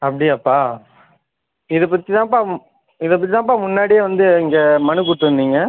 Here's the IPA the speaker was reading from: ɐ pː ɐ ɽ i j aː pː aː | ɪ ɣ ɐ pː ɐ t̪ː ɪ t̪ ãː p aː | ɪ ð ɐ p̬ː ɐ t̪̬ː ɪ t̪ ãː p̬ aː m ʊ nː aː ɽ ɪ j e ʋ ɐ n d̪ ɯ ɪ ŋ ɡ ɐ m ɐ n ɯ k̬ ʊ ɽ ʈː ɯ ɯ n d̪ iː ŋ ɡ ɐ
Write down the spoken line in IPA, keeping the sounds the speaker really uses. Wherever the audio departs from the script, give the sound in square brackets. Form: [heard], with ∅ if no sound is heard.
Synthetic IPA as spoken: ɐ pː ɐ ɽ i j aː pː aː | ɪ [ð] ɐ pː ɐ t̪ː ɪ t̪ ãː p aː | ɪ ð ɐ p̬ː ɐ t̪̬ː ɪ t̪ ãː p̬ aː m ʊ nː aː ɽ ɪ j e ʋ ɐ n d̪ ɯ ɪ ŋ ɡ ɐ m ɐ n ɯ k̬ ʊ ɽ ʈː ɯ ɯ n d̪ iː ŋ ɡ ɐ